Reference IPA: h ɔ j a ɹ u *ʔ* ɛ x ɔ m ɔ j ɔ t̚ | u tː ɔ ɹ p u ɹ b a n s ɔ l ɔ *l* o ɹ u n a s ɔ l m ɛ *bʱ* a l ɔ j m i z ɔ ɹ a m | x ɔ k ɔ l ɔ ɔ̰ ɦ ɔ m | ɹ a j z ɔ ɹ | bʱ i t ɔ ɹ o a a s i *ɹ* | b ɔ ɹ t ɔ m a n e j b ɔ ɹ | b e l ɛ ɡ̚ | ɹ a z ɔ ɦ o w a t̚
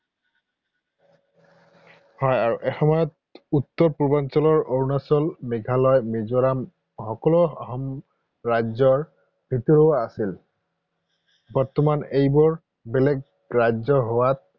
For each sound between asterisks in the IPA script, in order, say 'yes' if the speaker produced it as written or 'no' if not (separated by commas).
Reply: yes, no, no, no